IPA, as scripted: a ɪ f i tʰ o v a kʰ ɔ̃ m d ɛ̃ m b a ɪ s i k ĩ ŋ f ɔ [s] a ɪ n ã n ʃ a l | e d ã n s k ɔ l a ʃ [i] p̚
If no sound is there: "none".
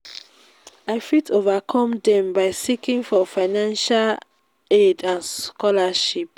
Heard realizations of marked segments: f, i

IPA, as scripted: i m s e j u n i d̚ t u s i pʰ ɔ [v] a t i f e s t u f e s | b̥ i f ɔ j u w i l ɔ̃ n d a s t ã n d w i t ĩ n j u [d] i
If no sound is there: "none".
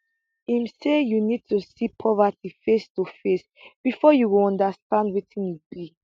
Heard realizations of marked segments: v, b

